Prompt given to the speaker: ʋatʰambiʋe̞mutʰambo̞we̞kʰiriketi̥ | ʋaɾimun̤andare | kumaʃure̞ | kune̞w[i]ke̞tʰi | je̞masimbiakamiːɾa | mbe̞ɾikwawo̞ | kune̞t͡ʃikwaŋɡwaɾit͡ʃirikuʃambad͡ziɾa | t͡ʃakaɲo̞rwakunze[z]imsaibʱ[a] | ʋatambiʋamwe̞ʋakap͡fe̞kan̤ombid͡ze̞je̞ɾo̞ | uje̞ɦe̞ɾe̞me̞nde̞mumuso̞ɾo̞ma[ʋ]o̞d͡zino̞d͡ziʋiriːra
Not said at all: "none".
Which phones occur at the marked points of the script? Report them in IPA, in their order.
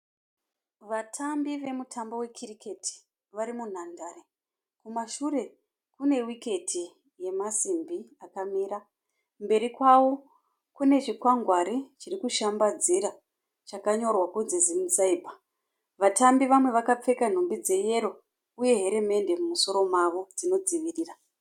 i, z, a, ʋ

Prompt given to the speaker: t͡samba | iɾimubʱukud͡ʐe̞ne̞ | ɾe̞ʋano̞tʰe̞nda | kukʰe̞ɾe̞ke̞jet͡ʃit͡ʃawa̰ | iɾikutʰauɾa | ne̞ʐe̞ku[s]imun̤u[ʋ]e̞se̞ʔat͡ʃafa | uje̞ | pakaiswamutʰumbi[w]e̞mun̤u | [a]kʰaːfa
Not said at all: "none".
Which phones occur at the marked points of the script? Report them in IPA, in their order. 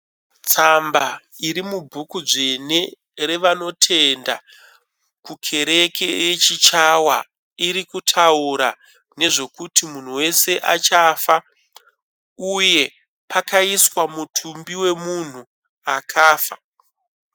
t, w, w, a

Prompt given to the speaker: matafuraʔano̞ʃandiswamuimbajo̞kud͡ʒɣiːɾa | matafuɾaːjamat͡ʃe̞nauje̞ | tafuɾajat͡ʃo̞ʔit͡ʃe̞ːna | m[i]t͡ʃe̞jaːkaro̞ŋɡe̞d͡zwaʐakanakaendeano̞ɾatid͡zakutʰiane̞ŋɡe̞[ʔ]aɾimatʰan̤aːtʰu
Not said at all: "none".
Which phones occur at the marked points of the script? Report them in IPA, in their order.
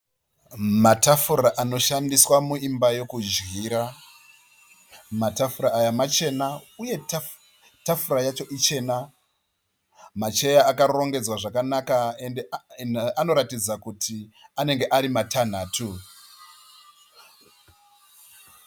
a, ʔ

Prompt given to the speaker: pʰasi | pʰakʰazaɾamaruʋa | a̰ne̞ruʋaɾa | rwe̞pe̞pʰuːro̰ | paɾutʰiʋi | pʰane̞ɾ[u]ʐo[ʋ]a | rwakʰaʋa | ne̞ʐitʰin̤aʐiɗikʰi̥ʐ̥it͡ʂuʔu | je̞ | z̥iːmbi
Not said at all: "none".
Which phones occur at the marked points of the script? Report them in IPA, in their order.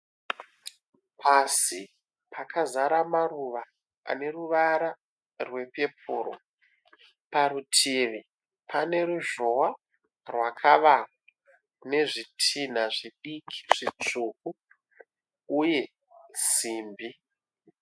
u, w

